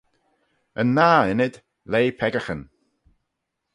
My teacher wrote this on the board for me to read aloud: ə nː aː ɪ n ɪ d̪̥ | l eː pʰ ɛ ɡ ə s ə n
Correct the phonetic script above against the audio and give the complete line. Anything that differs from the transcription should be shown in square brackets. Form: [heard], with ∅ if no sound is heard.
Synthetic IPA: ə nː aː ɪ n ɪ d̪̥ | l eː pʰ ɛ ɡ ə [x] ə n